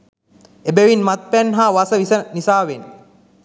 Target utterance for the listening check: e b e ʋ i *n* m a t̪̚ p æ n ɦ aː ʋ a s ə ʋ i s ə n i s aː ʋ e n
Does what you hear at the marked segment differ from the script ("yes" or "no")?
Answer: no